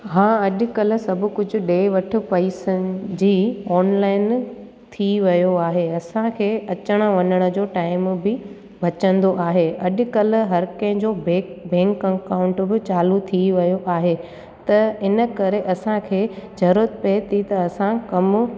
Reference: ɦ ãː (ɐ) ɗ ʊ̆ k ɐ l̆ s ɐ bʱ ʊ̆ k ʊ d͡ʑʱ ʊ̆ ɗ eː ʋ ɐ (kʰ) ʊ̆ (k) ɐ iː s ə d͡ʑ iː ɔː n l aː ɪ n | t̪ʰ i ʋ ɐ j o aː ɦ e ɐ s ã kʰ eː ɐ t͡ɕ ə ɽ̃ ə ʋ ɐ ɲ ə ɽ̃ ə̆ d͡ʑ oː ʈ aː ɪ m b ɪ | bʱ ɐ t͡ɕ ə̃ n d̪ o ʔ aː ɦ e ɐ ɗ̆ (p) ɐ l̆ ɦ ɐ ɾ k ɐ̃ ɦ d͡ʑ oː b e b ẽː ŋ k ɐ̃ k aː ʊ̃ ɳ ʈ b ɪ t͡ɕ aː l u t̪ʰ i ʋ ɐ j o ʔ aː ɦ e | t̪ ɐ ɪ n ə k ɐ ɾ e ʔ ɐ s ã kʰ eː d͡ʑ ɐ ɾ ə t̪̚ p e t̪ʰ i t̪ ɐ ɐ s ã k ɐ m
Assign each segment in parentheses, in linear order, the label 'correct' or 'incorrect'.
correct, incorrect, incorrect, incorrect

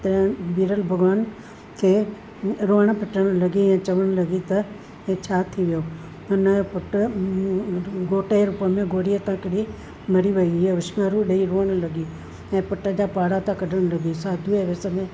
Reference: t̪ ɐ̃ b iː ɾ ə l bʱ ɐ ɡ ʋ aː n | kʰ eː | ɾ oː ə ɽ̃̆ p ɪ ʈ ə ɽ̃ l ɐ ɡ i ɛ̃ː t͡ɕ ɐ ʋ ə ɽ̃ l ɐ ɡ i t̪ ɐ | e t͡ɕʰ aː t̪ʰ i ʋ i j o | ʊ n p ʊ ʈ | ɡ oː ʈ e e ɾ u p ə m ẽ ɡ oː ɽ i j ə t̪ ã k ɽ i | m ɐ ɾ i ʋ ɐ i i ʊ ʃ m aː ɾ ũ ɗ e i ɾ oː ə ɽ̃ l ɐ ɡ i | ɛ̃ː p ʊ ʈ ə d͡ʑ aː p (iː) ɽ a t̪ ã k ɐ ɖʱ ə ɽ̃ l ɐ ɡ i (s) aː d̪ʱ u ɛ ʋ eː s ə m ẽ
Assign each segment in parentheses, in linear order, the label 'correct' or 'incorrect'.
incorrect, correct

